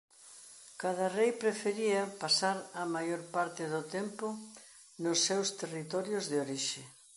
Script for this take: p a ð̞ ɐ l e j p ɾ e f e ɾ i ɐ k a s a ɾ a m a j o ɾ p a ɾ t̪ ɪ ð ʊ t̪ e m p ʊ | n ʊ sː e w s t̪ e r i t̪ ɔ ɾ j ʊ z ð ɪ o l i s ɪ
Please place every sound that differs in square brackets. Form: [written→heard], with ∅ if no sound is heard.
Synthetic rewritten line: [p→k] a ð̞ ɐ [l→r] e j p ɾ e f e ɾ i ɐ [k→p] a s a ɾ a m a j o ɾ p a ɾ t̪ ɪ ð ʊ t̪ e m p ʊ | n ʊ sː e w s t̪ e r i t̪ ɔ ɾ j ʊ z ð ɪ o [l→ɾ] i [s→ʃ] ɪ